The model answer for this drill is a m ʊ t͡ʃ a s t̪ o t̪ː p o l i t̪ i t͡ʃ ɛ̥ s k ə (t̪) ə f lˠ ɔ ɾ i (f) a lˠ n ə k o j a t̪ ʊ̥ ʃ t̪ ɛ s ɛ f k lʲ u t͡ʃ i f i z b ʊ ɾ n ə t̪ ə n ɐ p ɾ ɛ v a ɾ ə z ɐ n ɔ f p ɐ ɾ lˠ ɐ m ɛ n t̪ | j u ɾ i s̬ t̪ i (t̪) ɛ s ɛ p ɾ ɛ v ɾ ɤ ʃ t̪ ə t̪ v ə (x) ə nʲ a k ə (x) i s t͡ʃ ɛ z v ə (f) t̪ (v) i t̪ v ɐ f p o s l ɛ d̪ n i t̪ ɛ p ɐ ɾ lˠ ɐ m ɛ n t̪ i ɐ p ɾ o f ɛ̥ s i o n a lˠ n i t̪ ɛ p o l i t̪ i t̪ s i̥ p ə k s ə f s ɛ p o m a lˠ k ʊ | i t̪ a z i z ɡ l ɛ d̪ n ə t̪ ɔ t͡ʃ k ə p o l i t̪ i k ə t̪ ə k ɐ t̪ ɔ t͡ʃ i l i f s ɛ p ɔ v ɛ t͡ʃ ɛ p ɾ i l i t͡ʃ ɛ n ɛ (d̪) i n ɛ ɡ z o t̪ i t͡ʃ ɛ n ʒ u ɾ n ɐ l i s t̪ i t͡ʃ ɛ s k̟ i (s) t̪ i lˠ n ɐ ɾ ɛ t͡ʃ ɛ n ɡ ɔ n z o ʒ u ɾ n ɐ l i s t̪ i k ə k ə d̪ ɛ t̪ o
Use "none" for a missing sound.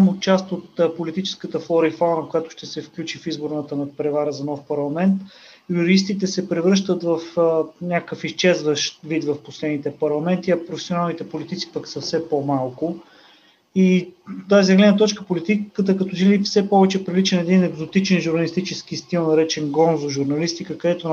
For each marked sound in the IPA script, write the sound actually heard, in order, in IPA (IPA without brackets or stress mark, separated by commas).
t̪, f, t̪, f, f, ʃ, v, d̪, s